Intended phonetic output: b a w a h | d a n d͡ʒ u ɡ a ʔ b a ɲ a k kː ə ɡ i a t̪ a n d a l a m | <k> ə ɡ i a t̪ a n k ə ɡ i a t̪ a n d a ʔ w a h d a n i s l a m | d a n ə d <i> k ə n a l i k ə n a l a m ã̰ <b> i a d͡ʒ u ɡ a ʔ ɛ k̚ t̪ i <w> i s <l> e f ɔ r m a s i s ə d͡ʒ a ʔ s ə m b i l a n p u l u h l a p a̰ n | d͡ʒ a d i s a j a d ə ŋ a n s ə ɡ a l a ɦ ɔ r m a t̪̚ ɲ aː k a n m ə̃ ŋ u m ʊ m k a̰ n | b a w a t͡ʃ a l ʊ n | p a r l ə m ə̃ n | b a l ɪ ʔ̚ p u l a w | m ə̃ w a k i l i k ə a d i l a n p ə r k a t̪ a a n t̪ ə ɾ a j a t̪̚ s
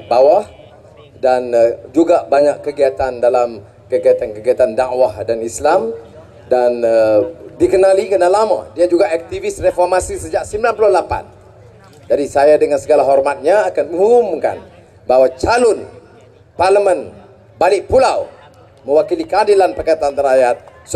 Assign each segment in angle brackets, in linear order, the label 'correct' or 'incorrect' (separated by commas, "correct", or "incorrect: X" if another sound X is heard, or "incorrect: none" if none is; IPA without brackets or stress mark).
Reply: correct, correct, incorrect: d, incorrect: v, incorrect: r